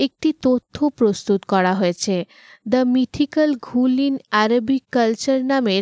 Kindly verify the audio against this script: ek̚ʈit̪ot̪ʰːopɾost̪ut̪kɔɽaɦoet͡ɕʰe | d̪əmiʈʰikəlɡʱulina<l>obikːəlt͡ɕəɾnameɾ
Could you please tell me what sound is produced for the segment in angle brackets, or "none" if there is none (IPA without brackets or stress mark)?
ɾ